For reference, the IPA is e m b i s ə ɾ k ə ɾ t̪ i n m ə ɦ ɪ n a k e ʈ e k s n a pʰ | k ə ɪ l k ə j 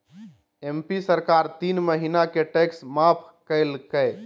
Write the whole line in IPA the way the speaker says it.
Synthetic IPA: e m p i s ə ɾ k a ɾ t̪ i n m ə ɦ i n a k e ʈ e k s m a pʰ | k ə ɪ l k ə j